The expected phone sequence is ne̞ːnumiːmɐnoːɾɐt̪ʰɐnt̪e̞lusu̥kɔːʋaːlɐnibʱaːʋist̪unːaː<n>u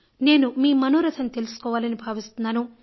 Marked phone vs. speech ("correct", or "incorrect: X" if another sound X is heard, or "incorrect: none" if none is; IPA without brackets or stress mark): correct